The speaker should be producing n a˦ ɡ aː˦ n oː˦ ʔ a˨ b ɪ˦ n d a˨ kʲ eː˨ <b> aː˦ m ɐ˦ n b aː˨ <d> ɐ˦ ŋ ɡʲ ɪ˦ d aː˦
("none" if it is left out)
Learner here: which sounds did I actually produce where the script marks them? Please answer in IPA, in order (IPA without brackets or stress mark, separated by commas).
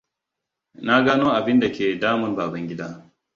d, b